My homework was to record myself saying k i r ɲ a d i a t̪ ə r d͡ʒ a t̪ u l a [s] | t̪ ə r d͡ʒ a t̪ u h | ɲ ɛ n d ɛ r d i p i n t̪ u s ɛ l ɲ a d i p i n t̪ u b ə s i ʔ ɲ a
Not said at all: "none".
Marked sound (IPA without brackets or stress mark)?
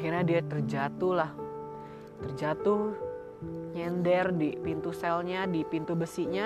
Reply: h